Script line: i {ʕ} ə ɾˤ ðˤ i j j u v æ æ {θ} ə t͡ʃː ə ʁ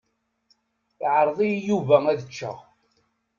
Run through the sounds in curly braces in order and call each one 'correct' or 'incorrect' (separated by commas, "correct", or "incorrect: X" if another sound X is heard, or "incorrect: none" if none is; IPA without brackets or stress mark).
correct, incorrect: ð